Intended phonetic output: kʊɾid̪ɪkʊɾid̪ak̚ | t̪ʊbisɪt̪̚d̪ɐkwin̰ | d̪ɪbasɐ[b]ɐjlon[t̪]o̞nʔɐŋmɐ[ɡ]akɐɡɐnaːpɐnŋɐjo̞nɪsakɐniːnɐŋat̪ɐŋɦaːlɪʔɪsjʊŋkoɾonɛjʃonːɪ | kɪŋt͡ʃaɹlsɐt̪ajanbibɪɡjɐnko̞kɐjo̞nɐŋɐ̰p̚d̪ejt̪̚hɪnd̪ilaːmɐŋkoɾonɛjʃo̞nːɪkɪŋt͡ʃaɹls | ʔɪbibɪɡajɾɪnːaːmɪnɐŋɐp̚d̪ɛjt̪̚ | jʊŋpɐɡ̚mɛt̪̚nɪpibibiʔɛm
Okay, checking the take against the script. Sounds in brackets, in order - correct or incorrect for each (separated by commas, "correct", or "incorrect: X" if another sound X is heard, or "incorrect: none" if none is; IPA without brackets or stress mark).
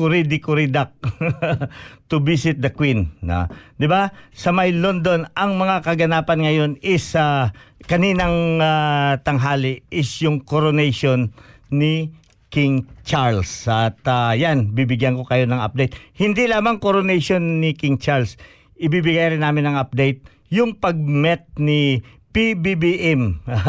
incorrect: m, incorrect: d̪, incorrect: ŋ